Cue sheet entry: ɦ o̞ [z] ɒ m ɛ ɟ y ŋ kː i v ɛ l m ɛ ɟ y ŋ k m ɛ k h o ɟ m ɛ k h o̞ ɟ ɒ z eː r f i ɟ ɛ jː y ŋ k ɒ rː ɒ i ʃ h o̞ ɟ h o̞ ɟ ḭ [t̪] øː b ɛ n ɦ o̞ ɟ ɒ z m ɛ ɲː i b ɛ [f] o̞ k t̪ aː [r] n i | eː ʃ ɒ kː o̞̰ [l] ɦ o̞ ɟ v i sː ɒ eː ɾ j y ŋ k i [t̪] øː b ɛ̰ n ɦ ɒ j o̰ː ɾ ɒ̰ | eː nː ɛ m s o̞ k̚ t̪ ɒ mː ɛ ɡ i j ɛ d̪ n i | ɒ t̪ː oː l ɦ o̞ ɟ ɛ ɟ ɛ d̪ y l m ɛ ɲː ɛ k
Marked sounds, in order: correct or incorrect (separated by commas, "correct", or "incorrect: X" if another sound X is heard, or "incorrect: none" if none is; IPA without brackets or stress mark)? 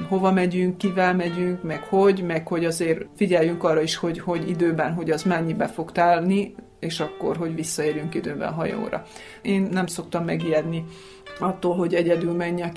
incorrect: v, incorrect: d̪, correct, incorrect: l, incorrect: r, incorrect: d̪